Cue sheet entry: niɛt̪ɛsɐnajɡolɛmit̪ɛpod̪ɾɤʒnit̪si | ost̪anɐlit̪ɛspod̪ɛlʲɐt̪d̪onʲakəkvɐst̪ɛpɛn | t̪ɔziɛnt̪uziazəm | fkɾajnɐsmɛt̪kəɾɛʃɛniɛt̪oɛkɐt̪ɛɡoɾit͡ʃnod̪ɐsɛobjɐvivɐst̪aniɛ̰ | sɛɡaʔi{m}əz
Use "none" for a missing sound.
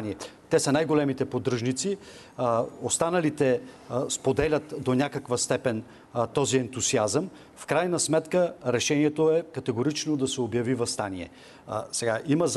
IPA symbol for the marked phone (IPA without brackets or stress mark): m